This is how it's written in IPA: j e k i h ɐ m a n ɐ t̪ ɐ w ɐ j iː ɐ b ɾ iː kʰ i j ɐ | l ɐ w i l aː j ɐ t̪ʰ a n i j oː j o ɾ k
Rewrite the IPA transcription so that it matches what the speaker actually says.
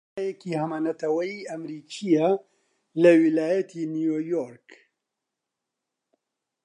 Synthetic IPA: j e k i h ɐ m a n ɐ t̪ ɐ w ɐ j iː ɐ m ɾ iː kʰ i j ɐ | l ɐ w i l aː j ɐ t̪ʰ i n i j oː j o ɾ k